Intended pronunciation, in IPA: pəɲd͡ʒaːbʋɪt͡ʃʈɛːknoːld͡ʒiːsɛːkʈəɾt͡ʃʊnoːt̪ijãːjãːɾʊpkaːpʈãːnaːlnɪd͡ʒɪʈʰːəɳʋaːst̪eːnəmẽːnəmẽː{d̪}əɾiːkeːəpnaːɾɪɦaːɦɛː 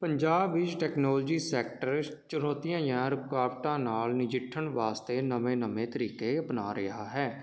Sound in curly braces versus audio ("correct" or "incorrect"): incorrect